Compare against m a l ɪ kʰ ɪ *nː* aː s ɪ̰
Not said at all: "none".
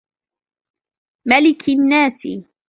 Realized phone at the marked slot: nː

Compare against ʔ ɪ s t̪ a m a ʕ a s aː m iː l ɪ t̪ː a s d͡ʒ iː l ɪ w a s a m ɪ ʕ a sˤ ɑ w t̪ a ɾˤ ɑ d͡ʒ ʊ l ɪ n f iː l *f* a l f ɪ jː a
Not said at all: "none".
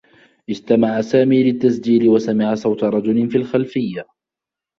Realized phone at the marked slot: x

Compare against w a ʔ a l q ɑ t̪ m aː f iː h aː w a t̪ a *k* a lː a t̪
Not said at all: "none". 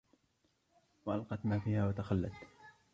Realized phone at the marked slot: x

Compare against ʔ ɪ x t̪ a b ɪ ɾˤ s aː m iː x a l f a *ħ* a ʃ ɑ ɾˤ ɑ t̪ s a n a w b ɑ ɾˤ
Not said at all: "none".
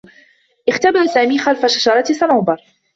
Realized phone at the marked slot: ʃ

